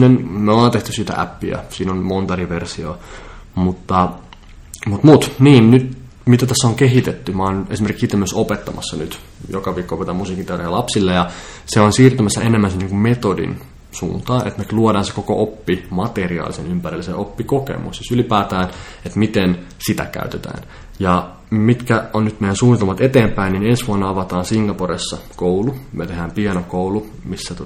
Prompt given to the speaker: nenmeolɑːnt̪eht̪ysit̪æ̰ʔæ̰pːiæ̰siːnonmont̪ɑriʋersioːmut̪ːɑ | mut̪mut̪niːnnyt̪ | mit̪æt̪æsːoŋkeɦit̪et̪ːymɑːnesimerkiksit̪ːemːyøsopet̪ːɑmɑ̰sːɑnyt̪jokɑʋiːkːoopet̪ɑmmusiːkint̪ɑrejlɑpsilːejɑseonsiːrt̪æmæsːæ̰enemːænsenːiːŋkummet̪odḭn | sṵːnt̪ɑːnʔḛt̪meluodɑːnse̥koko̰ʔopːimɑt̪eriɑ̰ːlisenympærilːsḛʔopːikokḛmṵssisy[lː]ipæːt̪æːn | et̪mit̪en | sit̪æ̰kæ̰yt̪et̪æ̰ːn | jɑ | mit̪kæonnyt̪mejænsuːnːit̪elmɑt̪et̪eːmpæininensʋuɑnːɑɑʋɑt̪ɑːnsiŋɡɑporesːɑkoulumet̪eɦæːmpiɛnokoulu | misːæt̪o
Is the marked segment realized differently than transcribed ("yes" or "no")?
yes